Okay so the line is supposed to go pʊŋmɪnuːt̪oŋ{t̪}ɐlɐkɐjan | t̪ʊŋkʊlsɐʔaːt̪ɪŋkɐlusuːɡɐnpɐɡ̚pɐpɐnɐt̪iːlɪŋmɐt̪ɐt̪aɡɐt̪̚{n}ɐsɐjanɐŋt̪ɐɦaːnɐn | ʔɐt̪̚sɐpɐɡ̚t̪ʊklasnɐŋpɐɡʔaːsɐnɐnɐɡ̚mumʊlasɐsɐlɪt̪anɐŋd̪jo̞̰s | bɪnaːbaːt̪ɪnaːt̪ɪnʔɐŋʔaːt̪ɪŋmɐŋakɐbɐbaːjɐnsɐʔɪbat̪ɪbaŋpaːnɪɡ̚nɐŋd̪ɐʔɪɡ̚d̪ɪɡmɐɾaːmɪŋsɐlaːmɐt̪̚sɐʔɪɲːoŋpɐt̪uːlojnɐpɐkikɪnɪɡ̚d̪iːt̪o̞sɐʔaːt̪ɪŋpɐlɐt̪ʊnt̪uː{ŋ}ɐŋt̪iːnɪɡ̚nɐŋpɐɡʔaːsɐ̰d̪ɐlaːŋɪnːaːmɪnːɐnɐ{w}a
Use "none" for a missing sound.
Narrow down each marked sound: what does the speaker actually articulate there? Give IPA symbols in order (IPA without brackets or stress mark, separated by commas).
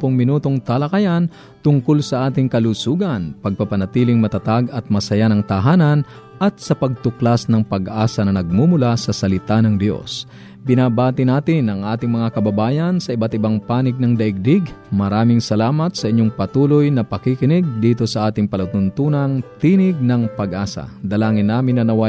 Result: t̪, m, n, w